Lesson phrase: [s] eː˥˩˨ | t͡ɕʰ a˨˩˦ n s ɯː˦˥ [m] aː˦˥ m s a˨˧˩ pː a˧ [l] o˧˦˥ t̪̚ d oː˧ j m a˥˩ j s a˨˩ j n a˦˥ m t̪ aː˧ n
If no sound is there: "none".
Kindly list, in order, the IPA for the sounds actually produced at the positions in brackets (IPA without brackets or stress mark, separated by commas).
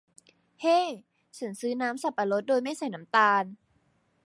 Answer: h, n, l